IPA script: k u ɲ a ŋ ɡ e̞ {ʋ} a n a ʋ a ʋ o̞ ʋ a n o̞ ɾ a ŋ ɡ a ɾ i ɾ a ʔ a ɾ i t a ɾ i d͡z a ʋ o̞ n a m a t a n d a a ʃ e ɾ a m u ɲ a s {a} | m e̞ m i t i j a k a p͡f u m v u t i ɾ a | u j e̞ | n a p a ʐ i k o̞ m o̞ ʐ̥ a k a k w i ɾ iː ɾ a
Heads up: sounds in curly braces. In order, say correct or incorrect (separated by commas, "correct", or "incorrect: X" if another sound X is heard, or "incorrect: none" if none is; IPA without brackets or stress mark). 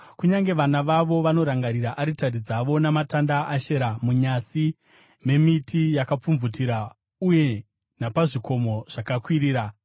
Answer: correct, incorrect: i